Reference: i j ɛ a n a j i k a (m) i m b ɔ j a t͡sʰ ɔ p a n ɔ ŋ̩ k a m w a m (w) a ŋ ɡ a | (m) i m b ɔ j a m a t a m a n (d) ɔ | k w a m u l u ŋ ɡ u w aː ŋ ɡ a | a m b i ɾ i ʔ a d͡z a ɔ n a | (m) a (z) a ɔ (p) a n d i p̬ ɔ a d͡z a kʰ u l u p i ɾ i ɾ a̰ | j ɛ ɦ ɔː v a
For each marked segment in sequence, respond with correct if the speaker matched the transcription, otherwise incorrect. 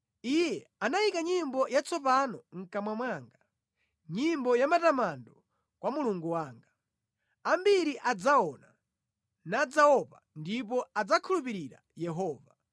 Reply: incorrect: ɲ, correct, incorrect: ɲ, correct, incorrect: n, incorrect: d͡z, correct

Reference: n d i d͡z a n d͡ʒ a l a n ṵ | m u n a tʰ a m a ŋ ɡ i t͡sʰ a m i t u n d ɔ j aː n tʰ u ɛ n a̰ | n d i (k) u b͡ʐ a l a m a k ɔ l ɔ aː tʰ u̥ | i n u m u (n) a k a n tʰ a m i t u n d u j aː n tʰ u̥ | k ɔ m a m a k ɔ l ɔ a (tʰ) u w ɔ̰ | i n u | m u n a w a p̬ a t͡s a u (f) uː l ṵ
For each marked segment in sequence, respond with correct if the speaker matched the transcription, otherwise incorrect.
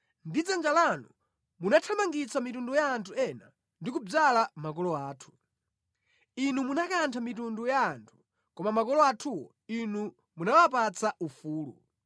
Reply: correct, correct, correct, correct

